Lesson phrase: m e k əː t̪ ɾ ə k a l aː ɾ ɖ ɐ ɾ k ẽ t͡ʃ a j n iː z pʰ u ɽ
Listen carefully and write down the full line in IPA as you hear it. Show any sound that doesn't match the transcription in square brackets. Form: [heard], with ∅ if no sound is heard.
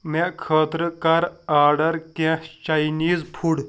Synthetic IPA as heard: m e [kʰ] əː t̪ ɾ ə k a [ɾ] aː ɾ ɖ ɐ ɾ k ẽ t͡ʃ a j n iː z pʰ u ɽ